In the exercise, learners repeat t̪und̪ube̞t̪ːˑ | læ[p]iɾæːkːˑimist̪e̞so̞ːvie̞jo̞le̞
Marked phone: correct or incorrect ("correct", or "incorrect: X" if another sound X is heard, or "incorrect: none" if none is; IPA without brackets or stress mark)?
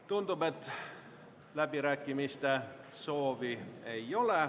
incorrect: b